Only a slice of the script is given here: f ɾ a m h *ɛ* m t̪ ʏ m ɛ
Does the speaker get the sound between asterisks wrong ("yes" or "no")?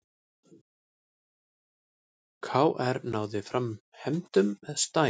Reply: no